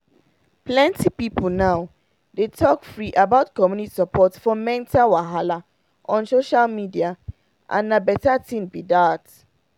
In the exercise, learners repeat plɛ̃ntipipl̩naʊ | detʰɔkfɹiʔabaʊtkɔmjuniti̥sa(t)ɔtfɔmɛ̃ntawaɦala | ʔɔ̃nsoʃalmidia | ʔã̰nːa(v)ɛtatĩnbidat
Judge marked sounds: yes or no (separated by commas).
no, no